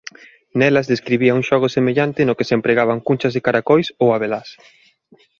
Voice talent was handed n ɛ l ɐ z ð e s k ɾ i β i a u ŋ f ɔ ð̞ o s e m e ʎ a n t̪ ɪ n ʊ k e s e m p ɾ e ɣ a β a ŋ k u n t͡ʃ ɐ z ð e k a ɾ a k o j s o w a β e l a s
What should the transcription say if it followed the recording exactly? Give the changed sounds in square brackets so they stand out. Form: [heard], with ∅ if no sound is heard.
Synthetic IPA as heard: n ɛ l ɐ z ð e s k ɾ i β i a u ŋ [ʃ] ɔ [ɣ̞] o s e m e ʎ a n t̪ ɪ n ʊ k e s e m p ɾ e ɣ a β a ŋ k u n t͡ʃ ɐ z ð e k a ɾ a k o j s o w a β e l a s